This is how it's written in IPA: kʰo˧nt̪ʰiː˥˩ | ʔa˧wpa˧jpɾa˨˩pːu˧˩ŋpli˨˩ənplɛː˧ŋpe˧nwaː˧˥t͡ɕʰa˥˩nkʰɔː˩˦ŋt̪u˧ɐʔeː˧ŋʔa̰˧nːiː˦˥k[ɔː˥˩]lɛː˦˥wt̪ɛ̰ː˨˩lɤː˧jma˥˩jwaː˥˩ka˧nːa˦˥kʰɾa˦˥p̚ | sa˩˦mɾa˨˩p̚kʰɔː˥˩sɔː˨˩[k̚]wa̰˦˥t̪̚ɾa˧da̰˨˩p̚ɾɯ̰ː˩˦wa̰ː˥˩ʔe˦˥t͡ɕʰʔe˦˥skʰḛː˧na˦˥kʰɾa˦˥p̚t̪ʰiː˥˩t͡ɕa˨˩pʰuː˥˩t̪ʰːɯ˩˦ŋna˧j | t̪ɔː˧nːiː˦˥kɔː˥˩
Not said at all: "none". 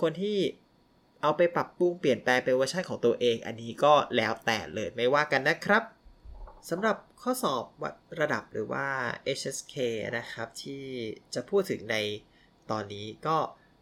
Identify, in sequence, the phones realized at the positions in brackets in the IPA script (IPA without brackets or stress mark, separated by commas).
ɔː˥˩, p̚